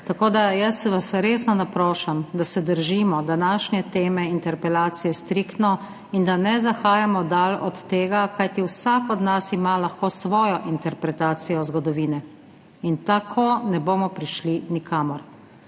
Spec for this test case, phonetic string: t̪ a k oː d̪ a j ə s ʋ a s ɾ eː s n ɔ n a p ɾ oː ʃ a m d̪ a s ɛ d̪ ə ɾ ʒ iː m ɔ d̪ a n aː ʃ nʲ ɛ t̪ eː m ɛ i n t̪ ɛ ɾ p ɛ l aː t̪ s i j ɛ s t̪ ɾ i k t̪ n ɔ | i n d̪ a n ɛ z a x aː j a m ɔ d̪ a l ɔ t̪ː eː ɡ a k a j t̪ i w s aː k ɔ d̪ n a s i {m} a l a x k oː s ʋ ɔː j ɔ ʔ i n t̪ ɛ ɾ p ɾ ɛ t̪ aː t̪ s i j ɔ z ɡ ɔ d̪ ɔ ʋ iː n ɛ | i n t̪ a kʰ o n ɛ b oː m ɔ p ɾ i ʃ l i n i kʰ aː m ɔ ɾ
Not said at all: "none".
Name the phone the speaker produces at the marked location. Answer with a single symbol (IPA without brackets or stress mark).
m